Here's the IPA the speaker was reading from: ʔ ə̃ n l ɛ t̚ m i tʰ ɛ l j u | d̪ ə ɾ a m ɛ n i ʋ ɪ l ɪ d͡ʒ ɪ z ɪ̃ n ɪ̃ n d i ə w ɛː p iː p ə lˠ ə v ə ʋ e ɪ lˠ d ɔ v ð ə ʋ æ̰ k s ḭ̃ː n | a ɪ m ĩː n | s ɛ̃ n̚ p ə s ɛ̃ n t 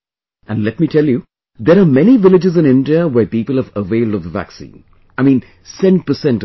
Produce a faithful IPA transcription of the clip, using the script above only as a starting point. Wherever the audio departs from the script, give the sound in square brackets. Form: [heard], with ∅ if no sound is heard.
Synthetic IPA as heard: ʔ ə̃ n l ɛ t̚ m i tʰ ɛ l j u | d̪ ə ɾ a m ɛ n i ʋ ɪ l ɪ d͡ʒ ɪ z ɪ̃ n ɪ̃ n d i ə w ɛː p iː p ə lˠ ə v ə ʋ e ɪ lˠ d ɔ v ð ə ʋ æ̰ k s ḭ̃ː n | a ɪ m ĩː n | s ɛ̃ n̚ p ə s ɛ̃ n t

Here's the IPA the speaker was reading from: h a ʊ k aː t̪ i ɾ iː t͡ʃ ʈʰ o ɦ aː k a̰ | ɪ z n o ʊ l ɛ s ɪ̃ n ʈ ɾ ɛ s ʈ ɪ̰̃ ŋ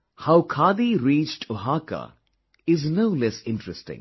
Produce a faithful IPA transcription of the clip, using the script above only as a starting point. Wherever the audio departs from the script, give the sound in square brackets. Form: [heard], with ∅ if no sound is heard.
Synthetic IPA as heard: h a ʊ [kʰ] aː [d̪] i ɾ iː t͡ʃ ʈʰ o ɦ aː k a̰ | ɪ z n o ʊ l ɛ s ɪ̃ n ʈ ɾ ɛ s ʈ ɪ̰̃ ŋ

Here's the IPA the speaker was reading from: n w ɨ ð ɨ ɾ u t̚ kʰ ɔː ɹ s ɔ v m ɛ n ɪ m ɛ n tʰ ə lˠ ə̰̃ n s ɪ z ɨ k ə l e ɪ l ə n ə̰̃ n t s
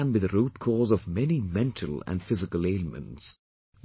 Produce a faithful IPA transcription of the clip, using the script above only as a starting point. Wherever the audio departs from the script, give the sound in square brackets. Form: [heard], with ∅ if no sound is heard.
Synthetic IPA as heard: n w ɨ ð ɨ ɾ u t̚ kʰ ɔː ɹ [z] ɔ v m ɛ n [i] m [ɛ̃] n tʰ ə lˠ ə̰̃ n [f] ɪ z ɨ k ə l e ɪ l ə [m] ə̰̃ n t s

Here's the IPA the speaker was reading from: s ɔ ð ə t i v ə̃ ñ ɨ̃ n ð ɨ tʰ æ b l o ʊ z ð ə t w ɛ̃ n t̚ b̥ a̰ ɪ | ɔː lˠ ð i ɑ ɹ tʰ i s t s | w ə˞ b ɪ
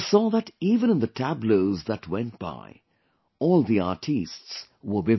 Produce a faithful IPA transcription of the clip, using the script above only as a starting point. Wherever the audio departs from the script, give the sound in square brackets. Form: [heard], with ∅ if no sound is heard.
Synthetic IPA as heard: s ɔ ð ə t i v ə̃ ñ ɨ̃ n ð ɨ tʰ æ b l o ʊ z ð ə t w ɛ̃ n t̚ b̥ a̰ ɪ | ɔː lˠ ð i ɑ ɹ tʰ i s t s | w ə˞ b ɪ

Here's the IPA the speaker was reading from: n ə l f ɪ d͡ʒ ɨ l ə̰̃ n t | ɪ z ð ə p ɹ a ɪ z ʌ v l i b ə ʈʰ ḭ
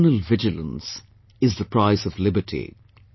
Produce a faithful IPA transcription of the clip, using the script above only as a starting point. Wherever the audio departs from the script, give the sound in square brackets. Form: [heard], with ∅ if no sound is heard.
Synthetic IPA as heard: n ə l [v] ɪ d͡ʒ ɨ l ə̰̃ n [s] | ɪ z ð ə p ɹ a ɪ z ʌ v l [ɪ] b ə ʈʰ ḭ

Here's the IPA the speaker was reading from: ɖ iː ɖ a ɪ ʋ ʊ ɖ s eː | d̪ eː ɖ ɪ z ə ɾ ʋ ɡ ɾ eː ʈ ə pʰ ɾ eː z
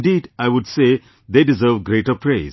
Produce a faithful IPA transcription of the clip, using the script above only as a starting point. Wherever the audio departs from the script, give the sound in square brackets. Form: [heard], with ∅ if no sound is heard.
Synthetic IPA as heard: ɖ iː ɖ a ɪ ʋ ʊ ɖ s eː | d̪ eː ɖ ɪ z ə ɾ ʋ ɡ ɾ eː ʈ ə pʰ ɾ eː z

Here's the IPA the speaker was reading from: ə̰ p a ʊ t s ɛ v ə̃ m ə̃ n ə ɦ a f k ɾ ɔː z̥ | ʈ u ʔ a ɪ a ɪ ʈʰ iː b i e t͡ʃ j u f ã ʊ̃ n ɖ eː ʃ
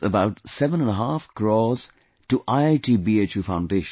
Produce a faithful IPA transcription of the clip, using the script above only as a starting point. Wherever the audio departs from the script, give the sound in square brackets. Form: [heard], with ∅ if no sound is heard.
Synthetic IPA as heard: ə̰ [b] a ʊ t s ɛ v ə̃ [n] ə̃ n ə ɦ a f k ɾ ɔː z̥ | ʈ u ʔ a ɪ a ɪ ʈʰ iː b i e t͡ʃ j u f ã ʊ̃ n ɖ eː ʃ

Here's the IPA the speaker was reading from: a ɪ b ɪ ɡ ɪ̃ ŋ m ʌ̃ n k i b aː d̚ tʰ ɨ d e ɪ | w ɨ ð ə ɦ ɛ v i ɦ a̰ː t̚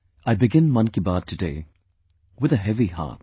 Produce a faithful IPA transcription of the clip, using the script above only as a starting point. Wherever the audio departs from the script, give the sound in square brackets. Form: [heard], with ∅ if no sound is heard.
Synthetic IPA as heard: a ɪ b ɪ ɡ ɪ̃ [n] m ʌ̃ n k i b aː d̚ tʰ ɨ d e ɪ | w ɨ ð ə ɦ ɛ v i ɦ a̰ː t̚

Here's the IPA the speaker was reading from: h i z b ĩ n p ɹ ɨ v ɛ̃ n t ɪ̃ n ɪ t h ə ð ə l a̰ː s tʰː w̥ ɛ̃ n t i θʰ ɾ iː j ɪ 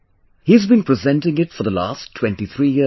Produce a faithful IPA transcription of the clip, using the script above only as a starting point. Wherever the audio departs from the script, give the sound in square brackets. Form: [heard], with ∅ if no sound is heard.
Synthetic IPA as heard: h i z b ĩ n p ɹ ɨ [z] ɛ̃ n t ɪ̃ [ŋ] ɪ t [f] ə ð ə l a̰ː s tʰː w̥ ɛ̃ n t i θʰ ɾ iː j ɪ

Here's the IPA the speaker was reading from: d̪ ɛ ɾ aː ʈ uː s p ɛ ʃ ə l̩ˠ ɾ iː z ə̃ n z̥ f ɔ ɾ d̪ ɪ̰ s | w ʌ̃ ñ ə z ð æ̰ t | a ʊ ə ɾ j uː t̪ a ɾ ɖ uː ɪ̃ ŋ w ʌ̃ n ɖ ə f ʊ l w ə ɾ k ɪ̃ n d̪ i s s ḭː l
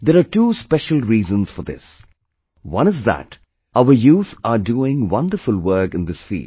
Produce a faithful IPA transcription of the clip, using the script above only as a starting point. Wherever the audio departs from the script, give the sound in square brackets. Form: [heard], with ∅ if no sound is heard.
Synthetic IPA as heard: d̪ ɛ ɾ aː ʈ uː s p ɛ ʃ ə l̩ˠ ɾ iː z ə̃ n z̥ f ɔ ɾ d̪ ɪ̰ s | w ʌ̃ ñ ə z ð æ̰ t | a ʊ ə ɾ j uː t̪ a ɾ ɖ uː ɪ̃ ŋ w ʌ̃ n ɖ ə f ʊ l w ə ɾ k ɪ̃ n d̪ [ɪ] s [f] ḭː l

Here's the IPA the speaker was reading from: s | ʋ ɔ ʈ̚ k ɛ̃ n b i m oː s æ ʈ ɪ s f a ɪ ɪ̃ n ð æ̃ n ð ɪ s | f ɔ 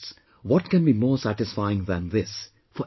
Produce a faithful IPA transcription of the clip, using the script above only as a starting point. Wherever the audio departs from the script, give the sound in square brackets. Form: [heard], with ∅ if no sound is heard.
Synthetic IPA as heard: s | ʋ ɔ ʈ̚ k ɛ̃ n b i m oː s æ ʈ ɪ s f a ɪ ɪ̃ [ŋ] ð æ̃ n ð ɪ s | f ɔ

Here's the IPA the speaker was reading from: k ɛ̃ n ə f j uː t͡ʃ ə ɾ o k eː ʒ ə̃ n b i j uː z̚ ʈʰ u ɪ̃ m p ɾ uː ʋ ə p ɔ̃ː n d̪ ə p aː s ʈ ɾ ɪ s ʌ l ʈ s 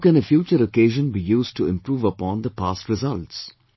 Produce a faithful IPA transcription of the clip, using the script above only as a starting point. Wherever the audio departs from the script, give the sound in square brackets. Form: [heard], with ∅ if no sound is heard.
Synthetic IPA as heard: k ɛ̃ n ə f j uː t͡ʃ ə ɾ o k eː ʒ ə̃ n b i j uː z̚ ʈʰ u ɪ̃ m p ɾ uː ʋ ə p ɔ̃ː n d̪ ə p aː s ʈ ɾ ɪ [z] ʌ l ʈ s

